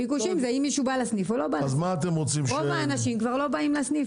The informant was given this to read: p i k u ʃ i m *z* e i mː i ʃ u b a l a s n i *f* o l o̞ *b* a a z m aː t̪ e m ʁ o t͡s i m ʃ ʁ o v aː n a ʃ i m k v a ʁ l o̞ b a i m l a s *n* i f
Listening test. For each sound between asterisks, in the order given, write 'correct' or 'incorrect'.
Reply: correct, correct, correct, correct

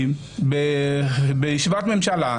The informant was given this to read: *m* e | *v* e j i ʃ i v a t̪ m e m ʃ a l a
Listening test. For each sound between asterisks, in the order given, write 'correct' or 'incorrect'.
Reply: incorrect: b, incorrect: b

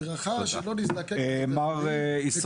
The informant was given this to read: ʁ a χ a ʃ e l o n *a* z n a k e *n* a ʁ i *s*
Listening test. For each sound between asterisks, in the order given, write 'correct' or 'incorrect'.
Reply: incorrect: i, incorrect: m, correct

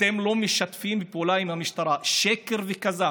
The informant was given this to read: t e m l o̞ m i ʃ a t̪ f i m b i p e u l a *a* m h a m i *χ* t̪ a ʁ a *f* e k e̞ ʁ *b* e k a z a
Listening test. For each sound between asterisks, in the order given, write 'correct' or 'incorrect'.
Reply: incorrect: i, incorrect: ʃ, incorrect: ʃ, incorrect: v

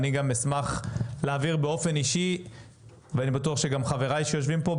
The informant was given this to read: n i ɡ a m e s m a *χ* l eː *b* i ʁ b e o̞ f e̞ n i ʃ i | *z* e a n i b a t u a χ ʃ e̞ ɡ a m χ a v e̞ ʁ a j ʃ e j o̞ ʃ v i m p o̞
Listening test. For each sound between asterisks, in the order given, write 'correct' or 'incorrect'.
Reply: correct, incorrect: v, incorrect: v

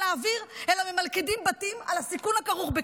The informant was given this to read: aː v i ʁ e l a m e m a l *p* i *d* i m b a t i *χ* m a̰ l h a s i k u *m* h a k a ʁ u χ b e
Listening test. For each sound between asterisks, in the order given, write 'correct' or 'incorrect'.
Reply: incorrect: k, correct, incorrect: none, incorrect: n

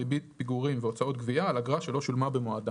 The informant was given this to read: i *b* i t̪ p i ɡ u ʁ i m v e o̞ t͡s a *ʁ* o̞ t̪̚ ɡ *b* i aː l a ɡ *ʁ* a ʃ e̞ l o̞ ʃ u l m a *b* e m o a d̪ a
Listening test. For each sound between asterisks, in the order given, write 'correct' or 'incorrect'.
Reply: correct, incorrect: none, incorrect: v, correct, correct

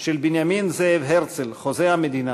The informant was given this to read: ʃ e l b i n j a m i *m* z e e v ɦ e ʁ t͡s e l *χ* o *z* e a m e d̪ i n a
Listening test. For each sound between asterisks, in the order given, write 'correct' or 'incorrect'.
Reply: incorrect: n, correct, correct

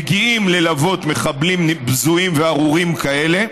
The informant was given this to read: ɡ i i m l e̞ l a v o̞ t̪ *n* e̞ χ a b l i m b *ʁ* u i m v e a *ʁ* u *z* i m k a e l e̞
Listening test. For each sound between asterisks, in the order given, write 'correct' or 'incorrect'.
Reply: incorrect: m, incorrect: z, correct, incorrect: ʁ

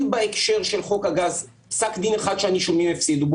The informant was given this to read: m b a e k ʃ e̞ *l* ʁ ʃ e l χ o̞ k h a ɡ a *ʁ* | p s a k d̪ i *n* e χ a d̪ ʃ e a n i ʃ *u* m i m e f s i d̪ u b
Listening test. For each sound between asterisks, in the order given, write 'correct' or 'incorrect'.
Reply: incorrect: none, incorrect: z, correct, incorrect: o

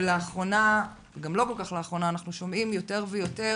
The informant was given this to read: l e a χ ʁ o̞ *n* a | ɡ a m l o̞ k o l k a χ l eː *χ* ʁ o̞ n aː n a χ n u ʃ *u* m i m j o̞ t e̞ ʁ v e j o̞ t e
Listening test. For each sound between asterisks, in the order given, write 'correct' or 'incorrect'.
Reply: correct, correct, incorrect: o

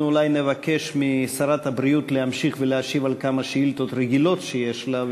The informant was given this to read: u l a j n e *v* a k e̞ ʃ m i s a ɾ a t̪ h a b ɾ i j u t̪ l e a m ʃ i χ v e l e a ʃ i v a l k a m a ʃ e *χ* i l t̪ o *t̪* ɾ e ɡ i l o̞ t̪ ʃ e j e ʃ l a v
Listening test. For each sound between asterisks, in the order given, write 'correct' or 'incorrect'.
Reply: correct, incorrect: none, correct

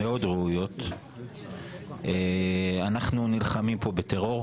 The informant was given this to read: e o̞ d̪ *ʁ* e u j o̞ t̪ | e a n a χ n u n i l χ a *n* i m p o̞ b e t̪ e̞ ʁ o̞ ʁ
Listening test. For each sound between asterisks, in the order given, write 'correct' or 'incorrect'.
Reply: correct, incorrect: m

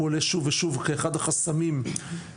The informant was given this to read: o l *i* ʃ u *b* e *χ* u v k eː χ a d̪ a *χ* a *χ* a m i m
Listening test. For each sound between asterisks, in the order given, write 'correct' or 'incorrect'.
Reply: incorrect: e, incorrect: v, incorrect: ʃ, correct, incorrect: s

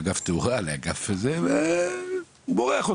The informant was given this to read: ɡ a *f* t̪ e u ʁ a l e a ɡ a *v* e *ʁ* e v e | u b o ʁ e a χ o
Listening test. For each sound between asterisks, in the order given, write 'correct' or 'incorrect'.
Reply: correct, incorrect: f, incorrect: z

